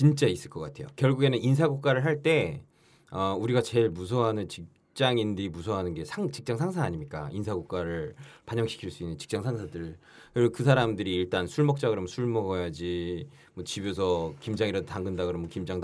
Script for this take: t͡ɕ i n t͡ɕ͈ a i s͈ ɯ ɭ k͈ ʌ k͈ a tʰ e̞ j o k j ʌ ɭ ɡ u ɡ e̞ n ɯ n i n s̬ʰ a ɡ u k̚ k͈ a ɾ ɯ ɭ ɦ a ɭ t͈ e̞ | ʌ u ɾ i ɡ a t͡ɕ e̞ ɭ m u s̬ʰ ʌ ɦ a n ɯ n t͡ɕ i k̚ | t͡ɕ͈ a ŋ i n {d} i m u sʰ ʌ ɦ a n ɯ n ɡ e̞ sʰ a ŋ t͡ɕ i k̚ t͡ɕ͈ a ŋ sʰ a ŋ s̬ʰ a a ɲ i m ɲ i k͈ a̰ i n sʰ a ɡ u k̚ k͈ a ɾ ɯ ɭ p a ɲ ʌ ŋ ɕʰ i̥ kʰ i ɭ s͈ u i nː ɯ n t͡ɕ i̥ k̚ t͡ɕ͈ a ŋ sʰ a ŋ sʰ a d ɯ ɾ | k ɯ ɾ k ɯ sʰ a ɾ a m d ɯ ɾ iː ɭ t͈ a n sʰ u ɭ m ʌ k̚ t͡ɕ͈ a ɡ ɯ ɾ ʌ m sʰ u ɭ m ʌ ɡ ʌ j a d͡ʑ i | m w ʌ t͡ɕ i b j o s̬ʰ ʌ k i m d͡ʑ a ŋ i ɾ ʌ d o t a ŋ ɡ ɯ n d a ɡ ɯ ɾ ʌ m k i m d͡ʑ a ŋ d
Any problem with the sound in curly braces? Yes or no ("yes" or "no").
no